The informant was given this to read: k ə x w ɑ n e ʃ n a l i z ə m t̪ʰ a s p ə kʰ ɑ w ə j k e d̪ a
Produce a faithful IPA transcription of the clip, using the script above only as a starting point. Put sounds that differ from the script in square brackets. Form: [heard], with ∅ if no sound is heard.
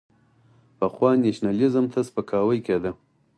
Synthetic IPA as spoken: [p] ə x w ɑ n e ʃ n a l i z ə m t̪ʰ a s p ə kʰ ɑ w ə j k e d̪ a

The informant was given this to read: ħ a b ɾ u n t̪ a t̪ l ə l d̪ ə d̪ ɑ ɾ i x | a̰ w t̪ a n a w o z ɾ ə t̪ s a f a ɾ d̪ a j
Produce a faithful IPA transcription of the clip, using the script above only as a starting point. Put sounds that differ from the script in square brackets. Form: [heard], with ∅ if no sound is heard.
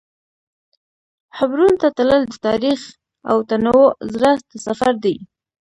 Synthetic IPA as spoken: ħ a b ɾ u n t̪ a t̪ l ə l d̪ ə [t̪] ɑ ɾ i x | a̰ w t̪ a n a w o z ɾ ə t̪ s a f a ɾ d̪ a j

